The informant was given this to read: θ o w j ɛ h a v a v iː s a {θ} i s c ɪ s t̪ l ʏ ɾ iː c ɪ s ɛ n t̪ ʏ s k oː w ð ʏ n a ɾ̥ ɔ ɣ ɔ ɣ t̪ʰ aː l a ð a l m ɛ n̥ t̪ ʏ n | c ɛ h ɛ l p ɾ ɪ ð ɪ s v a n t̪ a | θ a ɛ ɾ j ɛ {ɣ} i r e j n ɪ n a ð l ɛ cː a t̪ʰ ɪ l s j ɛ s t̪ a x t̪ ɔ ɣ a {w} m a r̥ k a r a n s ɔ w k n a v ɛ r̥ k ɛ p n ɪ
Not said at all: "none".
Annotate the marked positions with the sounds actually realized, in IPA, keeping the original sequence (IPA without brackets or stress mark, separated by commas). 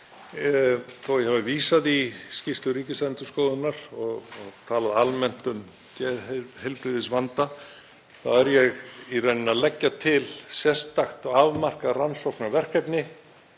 ð, ɣ, v